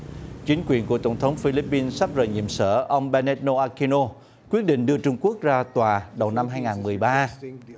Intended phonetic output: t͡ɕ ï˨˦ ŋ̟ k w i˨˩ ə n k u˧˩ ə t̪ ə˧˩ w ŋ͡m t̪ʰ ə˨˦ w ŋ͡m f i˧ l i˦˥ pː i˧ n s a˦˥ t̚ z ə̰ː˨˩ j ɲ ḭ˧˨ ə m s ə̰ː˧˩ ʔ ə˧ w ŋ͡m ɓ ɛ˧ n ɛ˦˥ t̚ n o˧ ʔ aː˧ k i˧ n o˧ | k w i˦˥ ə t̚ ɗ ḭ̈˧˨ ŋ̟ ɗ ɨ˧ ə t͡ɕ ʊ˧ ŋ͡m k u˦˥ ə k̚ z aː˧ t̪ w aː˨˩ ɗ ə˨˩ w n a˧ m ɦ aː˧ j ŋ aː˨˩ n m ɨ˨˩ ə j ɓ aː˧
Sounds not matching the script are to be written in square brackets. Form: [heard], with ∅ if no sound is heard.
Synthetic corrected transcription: t͡ɕ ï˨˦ ŋ̟ k w i˨˩ ə n k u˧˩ ə t̪ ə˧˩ w ŋ͡m t̪ʰ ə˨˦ w ŋ͡m f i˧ l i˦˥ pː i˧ n s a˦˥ [p̚] z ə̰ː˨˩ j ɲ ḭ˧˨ ə m s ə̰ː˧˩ ʔ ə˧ w ŋ͡m ɓ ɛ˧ n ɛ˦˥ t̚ n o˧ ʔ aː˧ k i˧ n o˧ | k w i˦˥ ə t̚ ɗ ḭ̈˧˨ ŋ̟ ɗ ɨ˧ ə t͡ɕ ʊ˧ ŋ͡m k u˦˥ ə k̚ z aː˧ t̪ w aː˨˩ ɗ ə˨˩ w n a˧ m ɦ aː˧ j ŋ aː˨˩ n m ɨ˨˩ ə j ɓ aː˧